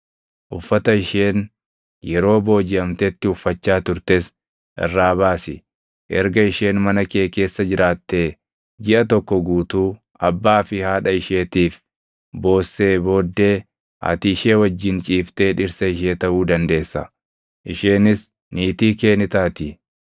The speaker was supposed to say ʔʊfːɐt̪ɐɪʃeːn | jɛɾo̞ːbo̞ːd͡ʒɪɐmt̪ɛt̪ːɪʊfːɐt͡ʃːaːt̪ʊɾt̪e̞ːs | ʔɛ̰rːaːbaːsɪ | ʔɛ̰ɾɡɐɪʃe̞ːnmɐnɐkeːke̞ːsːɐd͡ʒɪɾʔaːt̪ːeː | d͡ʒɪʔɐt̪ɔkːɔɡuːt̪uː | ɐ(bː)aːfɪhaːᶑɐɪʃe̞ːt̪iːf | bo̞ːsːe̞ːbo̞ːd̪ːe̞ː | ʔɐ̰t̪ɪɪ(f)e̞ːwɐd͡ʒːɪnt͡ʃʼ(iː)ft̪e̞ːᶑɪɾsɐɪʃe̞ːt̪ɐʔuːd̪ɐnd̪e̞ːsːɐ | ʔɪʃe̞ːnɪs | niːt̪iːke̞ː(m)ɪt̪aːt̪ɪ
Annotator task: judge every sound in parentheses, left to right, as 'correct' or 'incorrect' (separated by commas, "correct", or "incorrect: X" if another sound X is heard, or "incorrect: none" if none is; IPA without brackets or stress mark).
correct, incorrect: ʃ, correct, incorrect: n